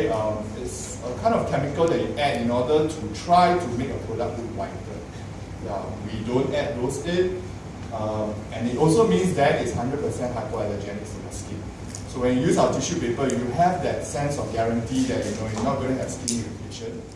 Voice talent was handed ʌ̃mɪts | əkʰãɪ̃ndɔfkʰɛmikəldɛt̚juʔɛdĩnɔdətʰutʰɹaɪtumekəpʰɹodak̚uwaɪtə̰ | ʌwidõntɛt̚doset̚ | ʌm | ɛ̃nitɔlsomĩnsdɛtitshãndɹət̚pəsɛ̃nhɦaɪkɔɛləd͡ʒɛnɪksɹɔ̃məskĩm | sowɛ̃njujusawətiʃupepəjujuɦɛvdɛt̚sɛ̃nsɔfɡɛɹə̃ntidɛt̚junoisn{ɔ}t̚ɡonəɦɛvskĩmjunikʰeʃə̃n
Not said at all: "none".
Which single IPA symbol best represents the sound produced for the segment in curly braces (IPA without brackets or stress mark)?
ɔ